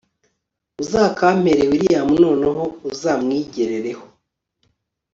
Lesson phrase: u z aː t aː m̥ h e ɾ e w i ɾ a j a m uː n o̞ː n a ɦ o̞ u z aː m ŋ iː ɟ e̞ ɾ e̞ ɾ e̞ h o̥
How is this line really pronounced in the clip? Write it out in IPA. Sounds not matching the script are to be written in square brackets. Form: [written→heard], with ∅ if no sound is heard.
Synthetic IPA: u z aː [t→k] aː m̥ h e ɾ e w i ɾ [a→i] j a m [uː→u] n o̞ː n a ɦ o̞ u z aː m ŋ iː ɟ e̞ ɾ e̞ ɾ e̞ h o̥